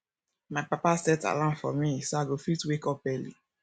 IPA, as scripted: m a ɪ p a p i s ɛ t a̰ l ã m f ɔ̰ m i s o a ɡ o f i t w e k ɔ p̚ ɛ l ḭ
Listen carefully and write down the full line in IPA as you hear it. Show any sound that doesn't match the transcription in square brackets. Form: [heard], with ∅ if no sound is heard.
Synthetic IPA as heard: m a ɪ p a p [a] s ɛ t a̰ l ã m f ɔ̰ m i s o a ɡ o f i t w e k ɔ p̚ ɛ l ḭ